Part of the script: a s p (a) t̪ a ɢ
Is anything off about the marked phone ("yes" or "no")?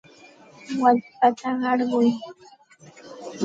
no